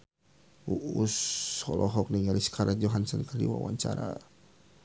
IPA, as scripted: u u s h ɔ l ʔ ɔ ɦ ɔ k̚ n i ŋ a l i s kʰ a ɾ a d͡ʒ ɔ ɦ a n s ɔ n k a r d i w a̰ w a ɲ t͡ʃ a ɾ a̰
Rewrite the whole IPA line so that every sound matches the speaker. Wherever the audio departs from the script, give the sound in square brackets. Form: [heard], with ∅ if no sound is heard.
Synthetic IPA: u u s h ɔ l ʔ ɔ ɦ ɔ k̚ n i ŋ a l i s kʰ a ɾ a d͡ʒ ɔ ɦ a n s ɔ n k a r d i w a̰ w a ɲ t͡ʃ a ɾ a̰

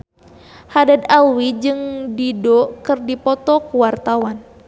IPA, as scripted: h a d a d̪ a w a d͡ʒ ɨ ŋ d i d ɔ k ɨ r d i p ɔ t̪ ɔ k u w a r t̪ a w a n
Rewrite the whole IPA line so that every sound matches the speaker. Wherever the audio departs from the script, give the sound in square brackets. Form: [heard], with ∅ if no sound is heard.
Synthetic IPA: h a d a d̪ a w [i] d͡ʒ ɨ ŋ d i d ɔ k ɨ r d i p ɔ t̪ ɔ k u w a r t̪ a w a n

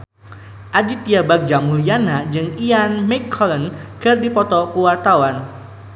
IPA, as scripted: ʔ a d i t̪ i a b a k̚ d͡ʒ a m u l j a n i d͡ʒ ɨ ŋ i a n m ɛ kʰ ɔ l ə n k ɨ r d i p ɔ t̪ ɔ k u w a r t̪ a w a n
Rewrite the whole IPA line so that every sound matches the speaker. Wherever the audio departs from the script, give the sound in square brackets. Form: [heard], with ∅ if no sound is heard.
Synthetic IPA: ʔ a d i t̪ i a b a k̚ d͡ʒ a m u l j a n [a] d͡ʒ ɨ ŋ i a n m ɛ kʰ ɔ l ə n k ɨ r d i p ɔ t̪ ɔ k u w a r t̪ a w a n

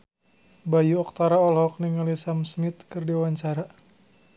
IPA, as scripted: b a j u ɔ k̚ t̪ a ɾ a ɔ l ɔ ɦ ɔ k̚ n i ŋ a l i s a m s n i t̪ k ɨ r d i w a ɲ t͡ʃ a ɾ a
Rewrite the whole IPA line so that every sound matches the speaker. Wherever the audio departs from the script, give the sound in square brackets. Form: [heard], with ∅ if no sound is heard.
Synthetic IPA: b a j u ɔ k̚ t̪ a ɾ a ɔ l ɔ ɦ ɔ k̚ n i ŋ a l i s a m s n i t̪ k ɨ r d i w a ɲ t͡ʃ a ɾ a

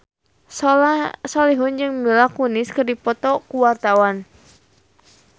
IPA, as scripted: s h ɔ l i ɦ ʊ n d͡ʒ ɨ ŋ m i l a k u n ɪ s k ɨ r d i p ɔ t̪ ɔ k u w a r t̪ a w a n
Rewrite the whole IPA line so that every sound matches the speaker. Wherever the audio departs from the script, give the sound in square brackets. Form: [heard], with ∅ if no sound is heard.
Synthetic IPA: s [s] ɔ l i ɦ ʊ n d͡ʒ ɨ ŋ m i l a k u n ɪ s k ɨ r d i p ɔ t̪ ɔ k u w a r t̪ a w a n

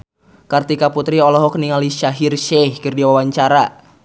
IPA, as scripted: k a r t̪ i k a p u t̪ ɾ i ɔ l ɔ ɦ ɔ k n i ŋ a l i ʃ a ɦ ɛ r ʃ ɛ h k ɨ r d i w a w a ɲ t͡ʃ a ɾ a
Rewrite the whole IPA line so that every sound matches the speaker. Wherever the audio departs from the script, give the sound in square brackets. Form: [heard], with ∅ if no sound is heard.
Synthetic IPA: k a r t̪ i k a p u t̪ ɾ i ɔ l ɔ ɦ ɔ k n i ŋ a l i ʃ a ɦ [i] r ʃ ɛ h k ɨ r d i w a w a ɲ t͡ʃ a ɾ a

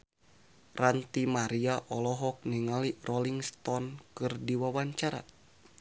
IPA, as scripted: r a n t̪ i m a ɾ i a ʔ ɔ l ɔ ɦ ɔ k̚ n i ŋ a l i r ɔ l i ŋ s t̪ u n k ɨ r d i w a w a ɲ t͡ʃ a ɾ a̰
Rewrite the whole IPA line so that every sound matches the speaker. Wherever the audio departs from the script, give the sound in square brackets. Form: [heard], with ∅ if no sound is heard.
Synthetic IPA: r a n t̪ i m a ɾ i a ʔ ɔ l ɔ ɦ ɔ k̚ n i ŋ a l i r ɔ l i ŋ s t̪ [ɔ] n k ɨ r d i w a w a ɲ t͡ʃ a ɾ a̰

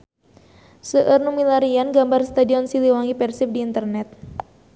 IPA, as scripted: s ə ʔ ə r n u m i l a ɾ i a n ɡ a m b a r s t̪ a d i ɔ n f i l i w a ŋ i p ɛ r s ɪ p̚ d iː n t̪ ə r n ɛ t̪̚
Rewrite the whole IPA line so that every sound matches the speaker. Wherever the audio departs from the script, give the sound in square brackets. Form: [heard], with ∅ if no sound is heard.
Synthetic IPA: s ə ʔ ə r n u m i l a ɾ i a n ɡ a m b a r s t̪ a d i ɔ n [s] i l i w a ŋ i p ɛ r s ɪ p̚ d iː n t̪ ə r n ɛ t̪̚

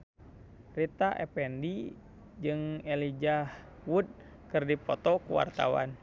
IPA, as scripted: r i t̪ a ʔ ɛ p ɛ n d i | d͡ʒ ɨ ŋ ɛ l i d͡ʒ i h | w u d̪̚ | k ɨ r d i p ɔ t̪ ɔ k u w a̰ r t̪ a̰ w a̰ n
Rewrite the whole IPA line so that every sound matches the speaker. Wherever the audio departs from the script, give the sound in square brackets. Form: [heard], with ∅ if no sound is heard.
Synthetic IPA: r i t̪ a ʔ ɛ p ɛ n d i | d͡ʒ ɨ ŋ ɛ l i d͡ʒ [a] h | w u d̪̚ | k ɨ r d i p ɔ t̪ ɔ k u w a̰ r t̪ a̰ w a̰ n

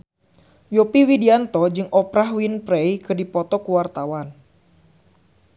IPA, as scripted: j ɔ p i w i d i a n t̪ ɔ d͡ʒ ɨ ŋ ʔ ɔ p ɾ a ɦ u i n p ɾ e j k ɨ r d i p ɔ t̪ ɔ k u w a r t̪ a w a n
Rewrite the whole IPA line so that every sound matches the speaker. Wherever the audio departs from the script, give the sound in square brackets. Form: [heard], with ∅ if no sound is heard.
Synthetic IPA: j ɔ p i w i d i a n t̪ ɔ d͡ʒ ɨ ŋ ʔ ɔ p ɾ a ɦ [w] i n p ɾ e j k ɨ r d i p ɔ t̪ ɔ k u w a r t̪ a w a n

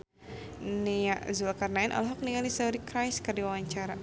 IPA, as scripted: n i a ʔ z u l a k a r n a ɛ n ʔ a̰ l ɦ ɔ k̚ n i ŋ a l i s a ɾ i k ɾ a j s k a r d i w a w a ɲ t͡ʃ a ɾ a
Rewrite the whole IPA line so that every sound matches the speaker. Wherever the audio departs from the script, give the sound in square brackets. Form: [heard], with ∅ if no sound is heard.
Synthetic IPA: n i a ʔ z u l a k a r n a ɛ n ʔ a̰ l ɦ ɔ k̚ n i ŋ a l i s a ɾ i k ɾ a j s k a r d i w a w a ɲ t͡ʃ a ɾ a

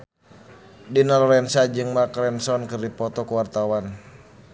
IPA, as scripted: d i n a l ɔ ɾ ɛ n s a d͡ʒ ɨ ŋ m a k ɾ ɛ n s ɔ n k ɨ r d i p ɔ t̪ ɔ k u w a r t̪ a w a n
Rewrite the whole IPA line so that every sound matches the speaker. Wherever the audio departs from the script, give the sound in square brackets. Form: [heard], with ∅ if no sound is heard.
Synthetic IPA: d i n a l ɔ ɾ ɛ n s a d͡ʒ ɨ ŋ m a k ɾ ɛ n s ɔ n k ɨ r d i p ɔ t̪ ɔ k u w a r t̪ a w a n

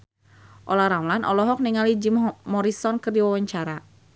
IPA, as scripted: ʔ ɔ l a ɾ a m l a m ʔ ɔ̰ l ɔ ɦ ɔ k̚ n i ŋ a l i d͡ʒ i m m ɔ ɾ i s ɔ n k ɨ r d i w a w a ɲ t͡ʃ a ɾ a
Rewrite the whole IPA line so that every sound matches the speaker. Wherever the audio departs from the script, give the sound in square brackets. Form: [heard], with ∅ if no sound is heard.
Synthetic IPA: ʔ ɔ l a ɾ a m l a [n] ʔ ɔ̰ l ɔ ɦ ɔ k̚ n i ŋ a l i d͡ʒ i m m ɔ ɾ i s ɔ n k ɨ r d i w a w a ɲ t͡ʃ a ɾ a

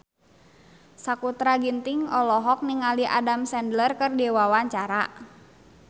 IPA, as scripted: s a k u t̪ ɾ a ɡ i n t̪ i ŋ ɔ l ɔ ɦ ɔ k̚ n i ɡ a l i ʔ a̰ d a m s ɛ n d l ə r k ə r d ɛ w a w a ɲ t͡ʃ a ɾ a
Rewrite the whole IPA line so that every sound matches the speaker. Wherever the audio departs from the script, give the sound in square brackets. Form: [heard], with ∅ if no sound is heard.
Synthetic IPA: s a k u t̪ ɾ a ɡ i n t̪ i ŋ ɔ l ɔ ɦ ɔ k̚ n i [ŋ] a l i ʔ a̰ d a m s ɛ n d l ə r k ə r d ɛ w a w a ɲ t͡ʃ a ɾ a

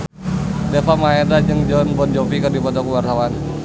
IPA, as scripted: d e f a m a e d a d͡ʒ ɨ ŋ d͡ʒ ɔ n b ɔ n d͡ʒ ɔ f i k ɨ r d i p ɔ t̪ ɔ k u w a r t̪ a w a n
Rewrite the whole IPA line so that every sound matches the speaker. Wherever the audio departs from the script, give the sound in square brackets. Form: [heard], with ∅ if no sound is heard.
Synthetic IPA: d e f a m a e d a d͡ʒ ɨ ŋ d͡ʒ ɔ n b ɔ n d͡ʒ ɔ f i k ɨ r d i p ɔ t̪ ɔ k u w a r t̪ a w a n

